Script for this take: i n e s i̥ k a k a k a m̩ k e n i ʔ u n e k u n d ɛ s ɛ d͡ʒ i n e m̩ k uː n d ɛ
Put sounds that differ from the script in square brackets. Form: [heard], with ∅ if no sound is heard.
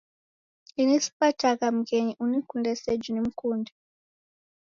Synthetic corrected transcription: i n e s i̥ [p] a [t] a k a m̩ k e [ɲ] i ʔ u n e k u n d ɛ s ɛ d͡ʒ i n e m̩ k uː n d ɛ